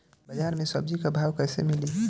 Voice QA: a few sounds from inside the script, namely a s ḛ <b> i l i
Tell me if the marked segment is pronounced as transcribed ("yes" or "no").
no